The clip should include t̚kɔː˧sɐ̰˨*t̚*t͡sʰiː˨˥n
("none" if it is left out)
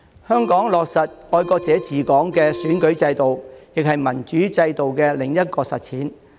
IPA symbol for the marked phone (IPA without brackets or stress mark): t̚